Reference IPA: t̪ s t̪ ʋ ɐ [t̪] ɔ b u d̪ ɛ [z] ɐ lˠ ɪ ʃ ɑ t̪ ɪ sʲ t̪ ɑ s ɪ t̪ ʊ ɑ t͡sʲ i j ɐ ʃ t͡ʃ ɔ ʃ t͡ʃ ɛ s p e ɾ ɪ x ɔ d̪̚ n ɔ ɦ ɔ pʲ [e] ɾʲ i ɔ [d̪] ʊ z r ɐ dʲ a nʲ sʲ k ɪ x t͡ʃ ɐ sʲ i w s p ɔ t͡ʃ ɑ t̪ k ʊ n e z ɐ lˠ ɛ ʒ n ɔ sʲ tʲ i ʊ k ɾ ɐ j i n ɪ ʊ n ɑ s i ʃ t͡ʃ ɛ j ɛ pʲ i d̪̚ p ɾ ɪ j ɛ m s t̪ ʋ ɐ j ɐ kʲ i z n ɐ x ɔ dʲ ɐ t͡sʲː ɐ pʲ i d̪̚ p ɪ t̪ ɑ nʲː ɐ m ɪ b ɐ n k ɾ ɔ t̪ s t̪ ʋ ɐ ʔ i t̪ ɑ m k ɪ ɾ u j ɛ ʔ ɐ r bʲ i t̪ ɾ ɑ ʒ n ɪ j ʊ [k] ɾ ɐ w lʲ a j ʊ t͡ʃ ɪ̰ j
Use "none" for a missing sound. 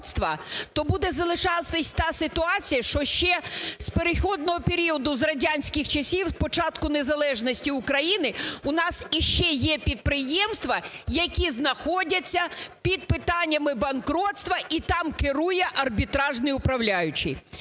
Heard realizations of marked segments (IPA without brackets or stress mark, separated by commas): t̪, z, e, d̪, p